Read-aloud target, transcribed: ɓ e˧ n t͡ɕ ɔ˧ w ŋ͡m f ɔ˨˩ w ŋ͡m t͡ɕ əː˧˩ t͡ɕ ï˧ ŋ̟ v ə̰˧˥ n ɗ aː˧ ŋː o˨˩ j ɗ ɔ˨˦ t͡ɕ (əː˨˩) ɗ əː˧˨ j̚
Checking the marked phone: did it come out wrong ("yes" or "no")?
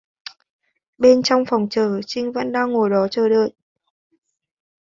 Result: no